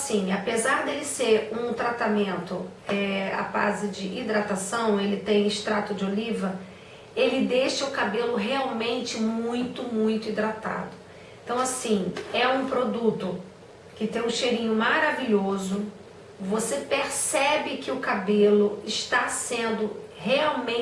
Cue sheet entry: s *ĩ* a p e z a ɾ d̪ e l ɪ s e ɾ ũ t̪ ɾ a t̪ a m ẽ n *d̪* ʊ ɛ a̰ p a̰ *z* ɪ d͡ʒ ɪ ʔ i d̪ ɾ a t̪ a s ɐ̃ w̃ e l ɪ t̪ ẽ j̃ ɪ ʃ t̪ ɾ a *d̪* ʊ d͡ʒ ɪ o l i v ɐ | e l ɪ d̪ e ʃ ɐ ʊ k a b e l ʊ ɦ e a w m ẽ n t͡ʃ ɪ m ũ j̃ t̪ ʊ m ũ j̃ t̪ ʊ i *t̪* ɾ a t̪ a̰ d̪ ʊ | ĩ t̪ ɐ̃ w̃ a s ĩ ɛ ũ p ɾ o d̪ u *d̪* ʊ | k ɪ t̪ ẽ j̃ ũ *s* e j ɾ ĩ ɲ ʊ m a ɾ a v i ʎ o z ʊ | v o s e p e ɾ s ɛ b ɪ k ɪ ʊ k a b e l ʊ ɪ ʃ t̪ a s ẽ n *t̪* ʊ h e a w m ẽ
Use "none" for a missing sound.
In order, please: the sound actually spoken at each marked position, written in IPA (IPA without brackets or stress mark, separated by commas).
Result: ĩ, t̪, z, t̪, d̪, t̪, ʃ, d̪